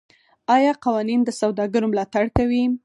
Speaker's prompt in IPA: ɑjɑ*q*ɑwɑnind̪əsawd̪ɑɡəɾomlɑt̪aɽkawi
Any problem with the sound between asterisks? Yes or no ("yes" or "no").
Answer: no